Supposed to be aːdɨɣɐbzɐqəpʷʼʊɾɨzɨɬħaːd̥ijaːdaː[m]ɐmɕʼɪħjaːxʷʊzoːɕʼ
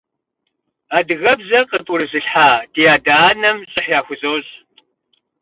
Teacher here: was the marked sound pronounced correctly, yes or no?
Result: no